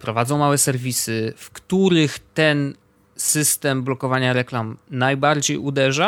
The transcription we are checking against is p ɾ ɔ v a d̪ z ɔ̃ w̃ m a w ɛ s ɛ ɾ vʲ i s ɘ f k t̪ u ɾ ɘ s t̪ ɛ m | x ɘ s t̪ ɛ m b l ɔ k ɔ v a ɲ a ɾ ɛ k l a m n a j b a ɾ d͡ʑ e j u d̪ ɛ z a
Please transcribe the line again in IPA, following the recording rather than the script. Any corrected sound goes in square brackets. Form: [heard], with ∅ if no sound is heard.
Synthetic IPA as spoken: p ɾ ɔ v a d̪ z ɔ̃ w̃ m a w ɛ s ɛ ɾ vʲ i s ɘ f k t̪ u ɾ ɘ [x] t̪ ɛ [n] | [s] ɘ s t̪ ɛ m b l ɔ k ɔ v a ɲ a ɾ ɛ k l a m n a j b a ɾ d͡ʑ e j u d̪ ɛ [ʐ] a